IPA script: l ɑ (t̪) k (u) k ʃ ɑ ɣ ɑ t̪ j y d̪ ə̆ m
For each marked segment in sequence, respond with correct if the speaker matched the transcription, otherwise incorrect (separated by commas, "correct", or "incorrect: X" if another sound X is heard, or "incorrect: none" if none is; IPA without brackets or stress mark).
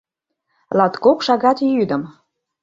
correct, incorrect: o